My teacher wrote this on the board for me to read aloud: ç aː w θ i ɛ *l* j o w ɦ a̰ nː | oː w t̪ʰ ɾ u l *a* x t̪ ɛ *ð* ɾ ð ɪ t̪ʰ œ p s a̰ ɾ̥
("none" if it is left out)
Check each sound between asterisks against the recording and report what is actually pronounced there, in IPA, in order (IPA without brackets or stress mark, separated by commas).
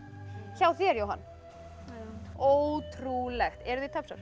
ɾ, ɛ, none